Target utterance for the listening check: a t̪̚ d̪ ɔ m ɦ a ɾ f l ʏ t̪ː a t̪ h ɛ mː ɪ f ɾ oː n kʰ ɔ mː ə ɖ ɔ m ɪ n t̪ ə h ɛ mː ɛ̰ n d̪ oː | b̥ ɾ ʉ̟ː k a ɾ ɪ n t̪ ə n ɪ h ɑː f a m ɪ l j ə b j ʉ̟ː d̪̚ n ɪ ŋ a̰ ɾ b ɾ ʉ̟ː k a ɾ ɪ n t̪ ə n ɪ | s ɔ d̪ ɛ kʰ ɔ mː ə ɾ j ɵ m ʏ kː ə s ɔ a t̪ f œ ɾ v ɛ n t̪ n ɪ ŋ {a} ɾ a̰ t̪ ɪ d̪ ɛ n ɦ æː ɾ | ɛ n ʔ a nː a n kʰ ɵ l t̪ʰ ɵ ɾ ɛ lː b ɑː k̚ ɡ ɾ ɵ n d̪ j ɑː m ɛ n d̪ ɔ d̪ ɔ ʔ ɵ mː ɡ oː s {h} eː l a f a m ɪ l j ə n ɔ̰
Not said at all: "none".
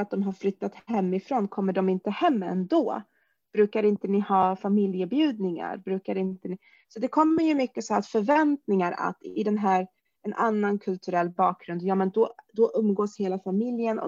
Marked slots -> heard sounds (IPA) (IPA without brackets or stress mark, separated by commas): a, h